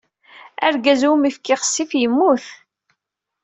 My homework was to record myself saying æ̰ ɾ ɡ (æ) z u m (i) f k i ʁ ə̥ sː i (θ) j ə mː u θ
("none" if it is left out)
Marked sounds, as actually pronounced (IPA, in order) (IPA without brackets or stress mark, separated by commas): æ, i, f